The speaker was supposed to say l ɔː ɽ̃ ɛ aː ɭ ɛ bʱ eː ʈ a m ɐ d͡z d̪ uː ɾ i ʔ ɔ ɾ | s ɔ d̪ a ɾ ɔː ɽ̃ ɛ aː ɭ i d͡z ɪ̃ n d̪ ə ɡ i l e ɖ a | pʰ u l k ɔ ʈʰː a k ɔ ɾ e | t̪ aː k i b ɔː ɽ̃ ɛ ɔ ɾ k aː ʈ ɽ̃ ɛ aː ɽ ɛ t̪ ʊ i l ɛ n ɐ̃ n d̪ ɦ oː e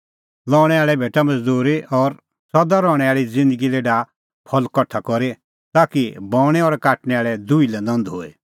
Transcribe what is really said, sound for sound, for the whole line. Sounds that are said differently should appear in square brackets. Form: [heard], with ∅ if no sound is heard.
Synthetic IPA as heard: l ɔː ɽ̃ ɛ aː ɭ ɛ bʱ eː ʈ a m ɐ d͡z d̪ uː ɾ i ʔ ɔ ɾ | s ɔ d̪ a ɾ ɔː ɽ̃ ɛ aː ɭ i d͡z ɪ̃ n d̪ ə ɡ i l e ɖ a | pʰ [ɔ] l k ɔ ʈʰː a k ɔ ɾ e | t̪ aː k i b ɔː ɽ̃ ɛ ɔ ɾ k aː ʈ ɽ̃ ɛ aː [ɭ] ɛ [d̪] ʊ i l ɛ n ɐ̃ n d̪ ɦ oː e